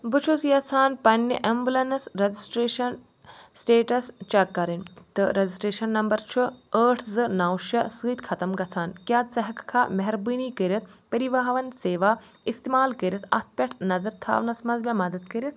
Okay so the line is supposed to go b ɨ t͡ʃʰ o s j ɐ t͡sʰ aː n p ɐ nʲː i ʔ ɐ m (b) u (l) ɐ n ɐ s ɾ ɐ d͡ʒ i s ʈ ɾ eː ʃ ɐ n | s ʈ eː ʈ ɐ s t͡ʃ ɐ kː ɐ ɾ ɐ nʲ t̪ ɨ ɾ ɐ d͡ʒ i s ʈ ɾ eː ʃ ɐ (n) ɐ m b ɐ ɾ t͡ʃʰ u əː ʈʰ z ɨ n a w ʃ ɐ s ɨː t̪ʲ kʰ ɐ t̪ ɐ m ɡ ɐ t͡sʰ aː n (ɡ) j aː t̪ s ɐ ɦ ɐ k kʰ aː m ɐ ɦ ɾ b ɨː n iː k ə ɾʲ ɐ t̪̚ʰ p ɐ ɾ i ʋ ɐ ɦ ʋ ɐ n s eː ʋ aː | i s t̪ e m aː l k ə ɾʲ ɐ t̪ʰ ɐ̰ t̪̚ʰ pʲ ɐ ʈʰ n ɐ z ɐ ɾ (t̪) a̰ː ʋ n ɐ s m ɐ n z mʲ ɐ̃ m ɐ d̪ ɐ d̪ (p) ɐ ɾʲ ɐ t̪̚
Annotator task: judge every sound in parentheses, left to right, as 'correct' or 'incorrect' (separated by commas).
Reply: correct, correct, incorrect, incorrect, incorrect, incorrect